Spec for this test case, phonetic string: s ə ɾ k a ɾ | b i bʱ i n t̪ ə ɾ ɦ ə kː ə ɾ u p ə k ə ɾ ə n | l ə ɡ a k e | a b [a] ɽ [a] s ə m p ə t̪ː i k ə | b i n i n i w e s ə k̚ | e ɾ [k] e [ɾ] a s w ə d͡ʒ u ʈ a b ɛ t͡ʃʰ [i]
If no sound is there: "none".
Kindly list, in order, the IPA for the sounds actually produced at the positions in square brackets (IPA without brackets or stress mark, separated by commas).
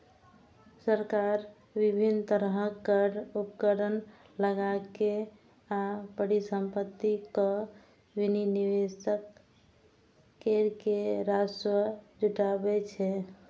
ə, i, k, ɾ, ɛ